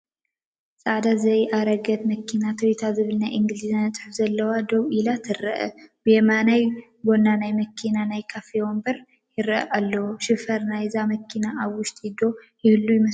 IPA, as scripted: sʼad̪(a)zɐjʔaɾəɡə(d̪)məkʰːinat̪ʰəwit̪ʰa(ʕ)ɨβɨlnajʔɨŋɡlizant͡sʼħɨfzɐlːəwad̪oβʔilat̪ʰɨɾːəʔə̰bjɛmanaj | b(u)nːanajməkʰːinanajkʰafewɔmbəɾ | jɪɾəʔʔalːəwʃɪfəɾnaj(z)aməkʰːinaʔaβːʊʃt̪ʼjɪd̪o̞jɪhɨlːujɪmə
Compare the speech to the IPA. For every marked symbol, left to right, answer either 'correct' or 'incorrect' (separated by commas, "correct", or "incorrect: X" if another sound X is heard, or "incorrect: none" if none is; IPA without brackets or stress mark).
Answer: correct, incorrect: t̪, incorrect: z, incorrect: o, correct